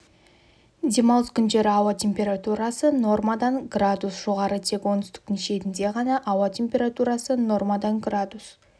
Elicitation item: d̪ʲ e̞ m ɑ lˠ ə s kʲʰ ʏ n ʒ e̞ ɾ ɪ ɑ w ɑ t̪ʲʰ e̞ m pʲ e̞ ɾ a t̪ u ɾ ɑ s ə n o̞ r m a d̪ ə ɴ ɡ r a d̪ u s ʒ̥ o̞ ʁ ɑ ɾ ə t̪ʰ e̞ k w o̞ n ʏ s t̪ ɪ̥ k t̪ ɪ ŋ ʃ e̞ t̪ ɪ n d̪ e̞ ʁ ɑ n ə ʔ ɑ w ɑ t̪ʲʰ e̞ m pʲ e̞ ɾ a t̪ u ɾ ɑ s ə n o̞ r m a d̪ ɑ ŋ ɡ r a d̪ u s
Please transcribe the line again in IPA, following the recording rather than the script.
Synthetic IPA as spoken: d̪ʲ e̞ m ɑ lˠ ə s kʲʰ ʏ n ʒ e̞ ɾ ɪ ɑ w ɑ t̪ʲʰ e̞ m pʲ e̞ ɾ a t̪ u ɾ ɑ s ə n o̞ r m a d̪ ɑ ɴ ɡ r a d̪ u s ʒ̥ o̞ ʁ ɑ ɾ ə t̪ʰ e̞ k w o̞ n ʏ s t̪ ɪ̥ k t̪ ɪ ŋ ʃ e̞ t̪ ɪ n d̪ e̞ ʁ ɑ n ɑ ʔ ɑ w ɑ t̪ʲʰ e̞ m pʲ e̞ ɾ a t̪ u ɾ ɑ s ə n o̞ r m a d̪ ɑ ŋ ɡ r a d̪ u s